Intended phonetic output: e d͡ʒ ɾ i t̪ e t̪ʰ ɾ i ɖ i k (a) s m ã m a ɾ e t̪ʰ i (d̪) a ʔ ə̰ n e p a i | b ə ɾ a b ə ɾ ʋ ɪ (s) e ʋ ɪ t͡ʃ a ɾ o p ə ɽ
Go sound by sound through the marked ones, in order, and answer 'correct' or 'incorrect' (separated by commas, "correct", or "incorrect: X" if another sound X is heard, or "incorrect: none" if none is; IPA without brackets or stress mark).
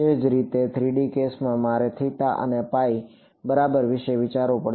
incorrect: e, incorrect: t̪, incorrect: ʃ